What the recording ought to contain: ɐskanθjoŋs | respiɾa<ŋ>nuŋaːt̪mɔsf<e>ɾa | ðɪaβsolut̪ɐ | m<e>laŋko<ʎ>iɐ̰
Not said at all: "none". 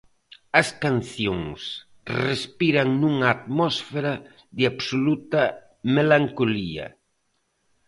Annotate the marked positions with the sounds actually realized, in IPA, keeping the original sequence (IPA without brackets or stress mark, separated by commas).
ŋ, e, e, l